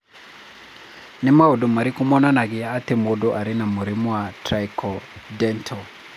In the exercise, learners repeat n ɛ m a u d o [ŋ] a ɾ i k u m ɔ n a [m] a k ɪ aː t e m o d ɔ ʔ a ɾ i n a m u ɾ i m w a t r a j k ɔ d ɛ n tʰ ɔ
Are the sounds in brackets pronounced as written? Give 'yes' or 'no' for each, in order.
no, no

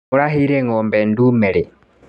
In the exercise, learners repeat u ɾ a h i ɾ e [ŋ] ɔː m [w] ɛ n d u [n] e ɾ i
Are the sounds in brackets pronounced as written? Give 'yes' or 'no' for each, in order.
yes, no, no

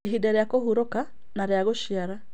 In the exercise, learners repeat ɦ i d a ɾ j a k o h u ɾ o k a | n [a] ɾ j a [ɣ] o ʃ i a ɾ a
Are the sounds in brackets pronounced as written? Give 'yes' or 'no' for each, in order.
yes, yes

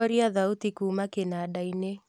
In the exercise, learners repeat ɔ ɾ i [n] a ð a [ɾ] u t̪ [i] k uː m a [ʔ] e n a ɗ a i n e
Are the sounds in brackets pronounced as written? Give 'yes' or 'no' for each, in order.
no, no, yes, no

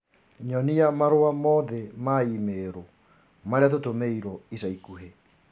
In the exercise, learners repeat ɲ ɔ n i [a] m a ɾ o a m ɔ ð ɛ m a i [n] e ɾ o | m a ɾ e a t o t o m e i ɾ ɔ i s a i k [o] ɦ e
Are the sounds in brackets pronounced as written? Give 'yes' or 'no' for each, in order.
yes, no, no

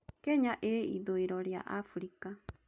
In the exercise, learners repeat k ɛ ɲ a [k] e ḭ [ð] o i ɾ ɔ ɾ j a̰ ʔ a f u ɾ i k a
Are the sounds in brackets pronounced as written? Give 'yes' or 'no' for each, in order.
no, yes

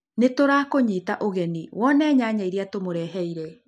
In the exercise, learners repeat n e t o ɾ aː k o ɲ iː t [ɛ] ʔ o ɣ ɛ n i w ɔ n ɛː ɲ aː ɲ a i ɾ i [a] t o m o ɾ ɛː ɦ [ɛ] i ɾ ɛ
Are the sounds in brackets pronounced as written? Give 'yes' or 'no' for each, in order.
no, yes, yes

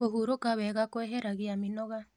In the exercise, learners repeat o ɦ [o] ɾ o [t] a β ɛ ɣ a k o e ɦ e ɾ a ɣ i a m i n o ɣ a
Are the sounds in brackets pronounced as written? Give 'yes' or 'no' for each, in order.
no, no

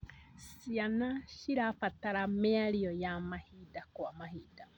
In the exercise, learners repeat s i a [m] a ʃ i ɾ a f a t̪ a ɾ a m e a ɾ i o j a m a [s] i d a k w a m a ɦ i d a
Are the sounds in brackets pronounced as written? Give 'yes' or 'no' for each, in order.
no, no

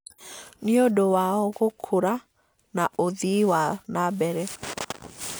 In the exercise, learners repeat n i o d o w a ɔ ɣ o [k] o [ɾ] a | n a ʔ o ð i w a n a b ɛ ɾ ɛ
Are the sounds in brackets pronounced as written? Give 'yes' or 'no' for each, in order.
no, yes

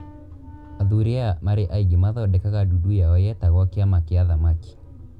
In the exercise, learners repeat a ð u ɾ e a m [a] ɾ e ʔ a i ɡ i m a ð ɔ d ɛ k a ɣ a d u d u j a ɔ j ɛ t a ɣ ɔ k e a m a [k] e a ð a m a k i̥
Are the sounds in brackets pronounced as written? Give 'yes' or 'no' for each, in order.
yes, yes

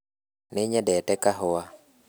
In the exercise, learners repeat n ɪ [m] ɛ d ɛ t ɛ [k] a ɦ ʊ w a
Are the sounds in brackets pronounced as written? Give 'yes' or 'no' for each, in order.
no, yes

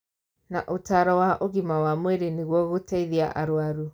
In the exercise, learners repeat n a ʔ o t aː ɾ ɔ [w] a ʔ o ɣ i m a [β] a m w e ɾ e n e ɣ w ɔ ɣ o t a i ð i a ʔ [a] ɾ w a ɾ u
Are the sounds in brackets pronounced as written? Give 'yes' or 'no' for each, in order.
yes, no, yes

